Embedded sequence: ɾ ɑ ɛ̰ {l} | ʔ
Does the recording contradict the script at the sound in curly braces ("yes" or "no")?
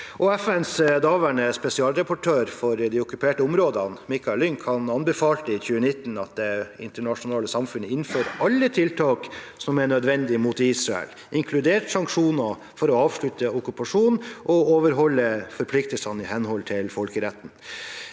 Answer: no